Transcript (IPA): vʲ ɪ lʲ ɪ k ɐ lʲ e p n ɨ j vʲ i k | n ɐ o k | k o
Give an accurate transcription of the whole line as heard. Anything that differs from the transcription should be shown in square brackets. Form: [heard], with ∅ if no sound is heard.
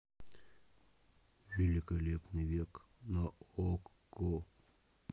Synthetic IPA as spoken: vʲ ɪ lʲ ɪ k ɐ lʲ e p n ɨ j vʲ [e] k | n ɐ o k | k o